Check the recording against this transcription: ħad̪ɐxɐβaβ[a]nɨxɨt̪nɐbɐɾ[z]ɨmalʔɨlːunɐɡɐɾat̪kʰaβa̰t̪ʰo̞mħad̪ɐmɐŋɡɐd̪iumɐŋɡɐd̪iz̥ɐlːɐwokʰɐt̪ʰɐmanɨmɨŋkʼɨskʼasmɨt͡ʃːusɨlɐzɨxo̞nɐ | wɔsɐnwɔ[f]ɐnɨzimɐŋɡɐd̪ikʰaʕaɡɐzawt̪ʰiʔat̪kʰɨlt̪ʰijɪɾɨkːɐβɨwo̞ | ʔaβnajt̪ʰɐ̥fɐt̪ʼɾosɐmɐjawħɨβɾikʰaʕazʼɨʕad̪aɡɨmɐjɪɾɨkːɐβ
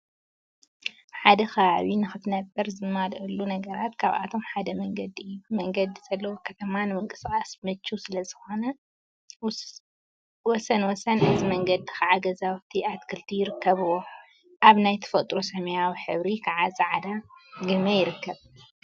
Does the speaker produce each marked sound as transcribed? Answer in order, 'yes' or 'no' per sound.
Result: no, yes, no

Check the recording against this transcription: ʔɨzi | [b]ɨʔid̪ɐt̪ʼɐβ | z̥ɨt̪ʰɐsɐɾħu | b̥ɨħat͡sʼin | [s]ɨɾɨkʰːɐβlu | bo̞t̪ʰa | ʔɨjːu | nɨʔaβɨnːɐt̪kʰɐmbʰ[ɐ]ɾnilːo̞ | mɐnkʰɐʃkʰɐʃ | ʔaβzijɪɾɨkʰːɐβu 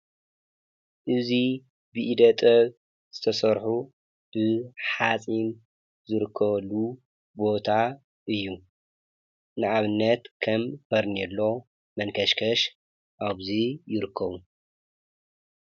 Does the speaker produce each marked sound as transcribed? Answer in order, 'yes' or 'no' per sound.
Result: yes, no, yes

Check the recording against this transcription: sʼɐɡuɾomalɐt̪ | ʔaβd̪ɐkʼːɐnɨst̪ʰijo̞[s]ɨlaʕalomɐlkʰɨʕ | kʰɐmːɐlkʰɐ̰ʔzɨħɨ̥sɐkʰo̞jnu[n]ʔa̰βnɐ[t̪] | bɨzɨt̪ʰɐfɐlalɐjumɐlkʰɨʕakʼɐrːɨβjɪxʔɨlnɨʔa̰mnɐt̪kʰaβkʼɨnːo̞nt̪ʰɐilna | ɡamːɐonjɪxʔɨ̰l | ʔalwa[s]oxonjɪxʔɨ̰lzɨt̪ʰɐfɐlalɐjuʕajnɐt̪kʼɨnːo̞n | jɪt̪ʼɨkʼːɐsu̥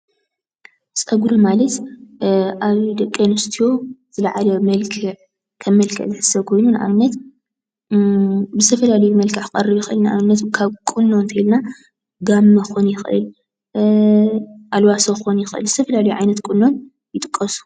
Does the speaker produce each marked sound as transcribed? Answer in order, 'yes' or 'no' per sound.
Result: no, yes, yes, yes

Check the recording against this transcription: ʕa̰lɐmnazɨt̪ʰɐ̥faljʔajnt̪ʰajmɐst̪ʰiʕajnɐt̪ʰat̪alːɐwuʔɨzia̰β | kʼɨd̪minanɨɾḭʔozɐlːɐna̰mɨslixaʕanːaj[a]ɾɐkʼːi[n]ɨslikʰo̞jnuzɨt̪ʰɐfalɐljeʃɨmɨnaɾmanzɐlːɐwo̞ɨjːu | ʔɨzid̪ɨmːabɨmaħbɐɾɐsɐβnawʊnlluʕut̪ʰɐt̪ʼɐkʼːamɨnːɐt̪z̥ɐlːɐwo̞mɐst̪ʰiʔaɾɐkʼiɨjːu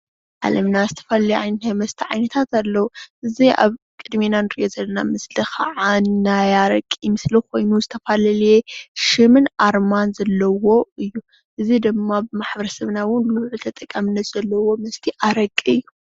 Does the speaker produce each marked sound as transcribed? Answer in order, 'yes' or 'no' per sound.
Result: yes, no

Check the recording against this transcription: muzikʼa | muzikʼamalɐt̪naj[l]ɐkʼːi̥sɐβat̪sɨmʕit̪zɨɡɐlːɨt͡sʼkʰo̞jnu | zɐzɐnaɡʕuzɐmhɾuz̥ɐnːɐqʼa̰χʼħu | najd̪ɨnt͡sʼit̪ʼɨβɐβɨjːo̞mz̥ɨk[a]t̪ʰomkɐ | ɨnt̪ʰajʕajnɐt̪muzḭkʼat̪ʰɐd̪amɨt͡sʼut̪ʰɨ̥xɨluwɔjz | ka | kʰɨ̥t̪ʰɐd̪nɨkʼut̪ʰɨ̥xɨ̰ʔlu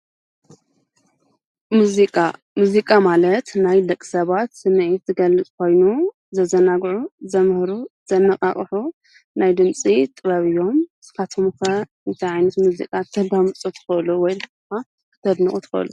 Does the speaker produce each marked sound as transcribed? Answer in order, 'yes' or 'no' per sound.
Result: yes, yes

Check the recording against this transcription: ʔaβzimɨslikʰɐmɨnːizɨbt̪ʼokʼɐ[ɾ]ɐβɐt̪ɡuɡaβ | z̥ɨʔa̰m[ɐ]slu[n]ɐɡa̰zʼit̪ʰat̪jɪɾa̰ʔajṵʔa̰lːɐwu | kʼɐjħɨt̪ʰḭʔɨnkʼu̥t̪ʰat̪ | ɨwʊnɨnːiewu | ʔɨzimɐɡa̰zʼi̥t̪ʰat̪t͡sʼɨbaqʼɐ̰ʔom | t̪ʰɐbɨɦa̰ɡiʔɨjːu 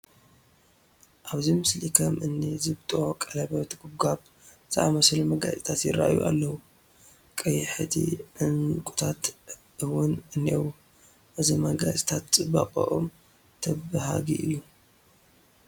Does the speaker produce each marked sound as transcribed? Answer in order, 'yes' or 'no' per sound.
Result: no, yes, no

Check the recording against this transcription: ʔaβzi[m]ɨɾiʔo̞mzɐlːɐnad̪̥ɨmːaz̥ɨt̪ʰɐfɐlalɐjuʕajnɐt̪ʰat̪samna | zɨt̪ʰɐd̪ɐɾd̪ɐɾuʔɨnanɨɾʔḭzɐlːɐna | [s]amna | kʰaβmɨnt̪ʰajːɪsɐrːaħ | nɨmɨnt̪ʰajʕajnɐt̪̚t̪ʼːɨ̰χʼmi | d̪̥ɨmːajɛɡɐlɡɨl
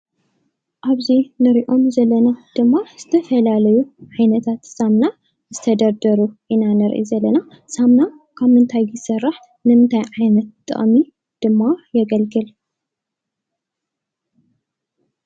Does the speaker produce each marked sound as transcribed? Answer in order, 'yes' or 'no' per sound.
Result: no, yes

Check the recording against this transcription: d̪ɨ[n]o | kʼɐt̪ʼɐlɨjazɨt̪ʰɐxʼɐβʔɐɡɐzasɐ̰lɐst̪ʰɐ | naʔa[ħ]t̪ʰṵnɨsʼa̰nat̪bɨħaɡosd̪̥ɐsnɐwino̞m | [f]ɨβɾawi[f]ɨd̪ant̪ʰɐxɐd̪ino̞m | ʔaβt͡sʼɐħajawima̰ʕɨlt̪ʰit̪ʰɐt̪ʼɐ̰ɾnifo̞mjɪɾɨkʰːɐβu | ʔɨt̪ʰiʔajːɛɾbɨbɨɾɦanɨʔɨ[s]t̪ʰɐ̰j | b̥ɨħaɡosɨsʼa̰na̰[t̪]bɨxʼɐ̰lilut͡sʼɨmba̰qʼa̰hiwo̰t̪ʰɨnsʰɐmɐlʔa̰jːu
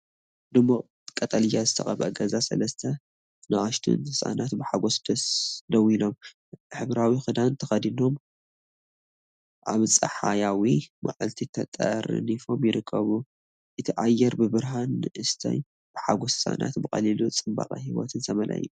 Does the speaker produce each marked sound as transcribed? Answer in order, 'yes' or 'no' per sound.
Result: no, no, no, no, yes, yes

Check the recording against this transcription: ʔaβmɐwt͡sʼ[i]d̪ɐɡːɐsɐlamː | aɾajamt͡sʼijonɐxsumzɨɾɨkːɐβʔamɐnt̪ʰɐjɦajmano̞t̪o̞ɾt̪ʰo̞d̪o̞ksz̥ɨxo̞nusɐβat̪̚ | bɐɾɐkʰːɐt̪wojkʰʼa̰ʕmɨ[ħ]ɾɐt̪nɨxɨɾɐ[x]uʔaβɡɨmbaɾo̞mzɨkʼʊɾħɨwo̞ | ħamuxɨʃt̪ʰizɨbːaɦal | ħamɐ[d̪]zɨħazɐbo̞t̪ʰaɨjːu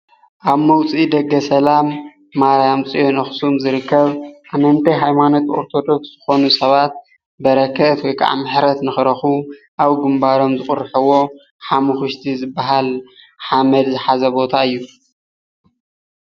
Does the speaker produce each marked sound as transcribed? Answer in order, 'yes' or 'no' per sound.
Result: yes, yes, yes, yes

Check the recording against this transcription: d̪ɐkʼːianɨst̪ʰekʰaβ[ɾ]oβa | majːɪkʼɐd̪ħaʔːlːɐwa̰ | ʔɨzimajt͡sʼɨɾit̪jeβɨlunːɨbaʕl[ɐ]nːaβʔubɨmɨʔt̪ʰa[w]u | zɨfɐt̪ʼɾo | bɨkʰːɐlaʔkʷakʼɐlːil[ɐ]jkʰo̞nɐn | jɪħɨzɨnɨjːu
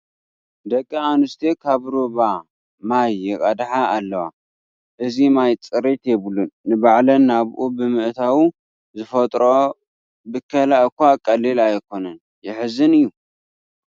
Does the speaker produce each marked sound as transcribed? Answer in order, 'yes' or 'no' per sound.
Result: yes, yes, yes, no

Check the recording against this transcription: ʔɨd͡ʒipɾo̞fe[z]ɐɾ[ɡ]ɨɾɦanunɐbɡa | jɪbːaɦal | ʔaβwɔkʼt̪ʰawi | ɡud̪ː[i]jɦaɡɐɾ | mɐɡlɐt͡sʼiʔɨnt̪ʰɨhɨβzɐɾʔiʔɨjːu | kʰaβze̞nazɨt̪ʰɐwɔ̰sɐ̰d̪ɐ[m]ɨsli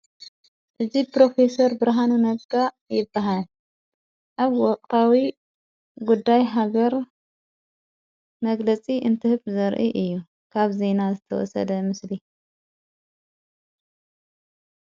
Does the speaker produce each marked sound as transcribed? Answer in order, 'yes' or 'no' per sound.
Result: no, no, no, yes

